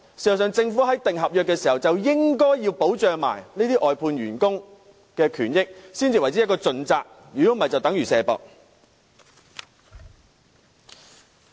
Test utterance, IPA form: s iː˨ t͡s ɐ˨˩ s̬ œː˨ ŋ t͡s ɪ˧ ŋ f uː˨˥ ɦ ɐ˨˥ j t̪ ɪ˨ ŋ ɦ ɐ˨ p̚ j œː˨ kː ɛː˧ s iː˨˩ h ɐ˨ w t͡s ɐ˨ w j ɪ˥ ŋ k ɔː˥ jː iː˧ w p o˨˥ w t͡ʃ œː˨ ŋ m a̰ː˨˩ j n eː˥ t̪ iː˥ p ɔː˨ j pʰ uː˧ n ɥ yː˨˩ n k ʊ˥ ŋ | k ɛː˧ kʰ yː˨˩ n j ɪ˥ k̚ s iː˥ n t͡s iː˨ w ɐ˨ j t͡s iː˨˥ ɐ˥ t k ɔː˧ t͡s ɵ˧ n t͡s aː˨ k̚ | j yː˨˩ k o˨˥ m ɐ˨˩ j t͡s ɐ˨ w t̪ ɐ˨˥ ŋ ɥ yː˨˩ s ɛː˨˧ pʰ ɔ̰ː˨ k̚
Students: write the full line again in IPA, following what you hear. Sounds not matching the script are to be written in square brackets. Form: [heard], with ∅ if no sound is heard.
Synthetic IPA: s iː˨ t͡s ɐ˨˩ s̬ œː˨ ŋ t͡s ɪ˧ ŋ f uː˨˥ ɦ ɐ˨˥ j t̪ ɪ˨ ŋ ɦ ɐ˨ p̚ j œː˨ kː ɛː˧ s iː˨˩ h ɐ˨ w t͡s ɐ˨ w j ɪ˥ ŋ k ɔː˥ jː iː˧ w p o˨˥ w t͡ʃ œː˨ ŋ m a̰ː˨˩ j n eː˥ t̪ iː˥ [ʔ] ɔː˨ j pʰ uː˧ n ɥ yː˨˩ n k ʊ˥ ŋ | k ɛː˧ kʰ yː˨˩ n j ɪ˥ k̚ s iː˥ n t͡s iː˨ w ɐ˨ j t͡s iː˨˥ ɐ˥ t k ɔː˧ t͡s ɵ˧ n t͡s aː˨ k̚ | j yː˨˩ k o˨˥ m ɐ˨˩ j t͡s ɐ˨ w t̪ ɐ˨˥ ŋ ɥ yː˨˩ s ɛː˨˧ [p] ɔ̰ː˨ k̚